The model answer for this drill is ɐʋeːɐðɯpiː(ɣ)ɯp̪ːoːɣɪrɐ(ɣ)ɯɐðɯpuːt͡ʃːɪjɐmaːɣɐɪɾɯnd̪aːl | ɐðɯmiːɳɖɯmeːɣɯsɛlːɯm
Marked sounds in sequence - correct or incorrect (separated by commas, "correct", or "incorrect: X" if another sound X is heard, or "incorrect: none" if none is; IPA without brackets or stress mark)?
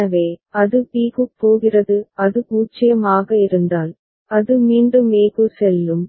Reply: correct, incorrect: ð